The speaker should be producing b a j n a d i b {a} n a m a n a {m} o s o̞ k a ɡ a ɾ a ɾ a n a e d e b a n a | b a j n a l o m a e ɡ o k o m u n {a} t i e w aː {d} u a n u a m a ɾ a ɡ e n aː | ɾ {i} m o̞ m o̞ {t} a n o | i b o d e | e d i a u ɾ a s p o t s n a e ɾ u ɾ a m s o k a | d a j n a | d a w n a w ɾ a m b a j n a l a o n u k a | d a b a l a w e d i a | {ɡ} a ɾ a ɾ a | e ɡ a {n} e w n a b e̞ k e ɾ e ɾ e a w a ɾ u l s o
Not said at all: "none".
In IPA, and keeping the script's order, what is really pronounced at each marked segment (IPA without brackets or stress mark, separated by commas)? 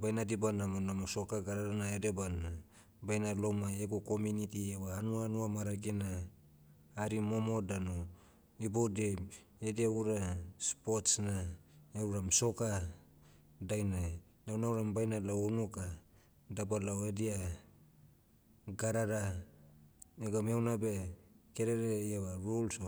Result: a, m, i, n, i, d, ɡ, m